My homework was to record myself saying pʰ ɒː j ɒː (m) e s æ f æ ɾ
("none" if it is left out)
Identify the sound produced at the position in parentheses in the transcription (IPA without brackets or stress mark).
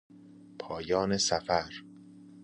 n